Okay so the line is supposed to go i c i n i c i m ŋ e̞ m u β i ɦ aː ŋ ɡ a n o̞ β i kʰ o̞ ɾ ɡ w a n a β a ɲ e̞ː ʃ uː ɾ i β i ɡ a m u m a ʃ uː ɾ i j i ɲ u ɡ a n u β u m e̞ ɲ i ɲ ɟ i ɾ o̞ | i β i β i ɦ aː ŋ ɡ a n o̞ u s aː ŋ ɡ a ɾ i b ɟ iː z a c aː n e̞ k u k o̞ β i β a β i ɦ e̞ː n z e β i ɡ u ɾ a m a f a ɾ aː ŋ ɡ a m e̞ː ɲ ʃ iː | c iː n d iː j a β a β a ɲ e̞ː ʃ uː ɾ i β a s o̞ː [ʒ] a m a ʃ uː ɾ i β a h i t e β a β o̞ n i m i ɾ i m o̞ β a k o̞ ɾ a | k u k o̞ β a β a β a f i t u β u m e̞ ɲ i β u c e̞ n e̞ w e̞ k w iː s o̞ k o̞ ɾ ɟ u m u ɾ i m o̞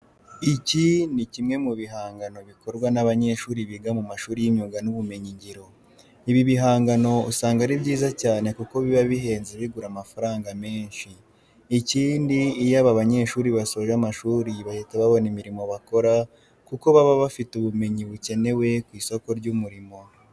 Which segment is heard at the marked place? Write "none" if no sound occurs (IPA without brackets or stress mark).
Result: ʒ